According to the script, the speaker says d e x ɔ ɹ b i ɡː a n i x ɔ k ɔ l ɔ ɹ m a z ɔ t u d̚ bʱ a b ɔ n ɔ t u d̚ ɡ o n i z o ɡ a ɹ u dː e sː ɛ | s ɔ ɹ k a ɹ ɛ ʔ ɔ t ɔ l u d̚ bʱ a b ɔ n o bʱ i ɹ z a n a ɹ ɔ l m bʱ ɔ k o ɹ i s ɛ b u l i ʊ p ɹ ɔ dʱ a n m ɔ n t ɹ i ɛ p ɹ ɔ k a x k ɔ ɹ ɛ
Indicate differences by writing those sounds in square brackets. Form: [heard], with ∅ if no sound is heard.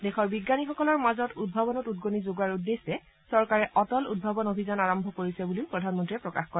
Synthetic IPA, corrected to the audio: d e x ɔ ɹ b i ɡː a n i x ɔ k ɔ l ɔ ɹ m a z ɔ t u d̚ bʱ a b ɔ n ɔ t u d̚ ɡ o n i z o ɡ a ɹ u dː e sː ɛ | s ɔ ɹ k a ɹ ɛ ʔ ɔ t ɔ l u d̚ bʱ a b ɔ n o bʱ i [∅] z a n a ɹ ɔ [∅] m bʱ ɔ k o ɹ i s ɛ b u l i ʊ p ɹ ɔ dʱ a n m ɔ n t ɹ i ɛ p ɹ ɔ k a x k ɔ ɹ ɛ